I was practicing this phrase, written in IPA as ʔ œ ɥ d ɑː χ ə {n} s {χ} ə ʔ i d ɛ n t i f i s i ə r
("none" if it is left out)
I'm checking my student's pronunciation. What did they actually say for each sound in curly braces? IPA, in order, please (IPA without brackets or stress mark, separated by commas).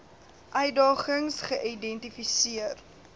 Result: ŋ, χ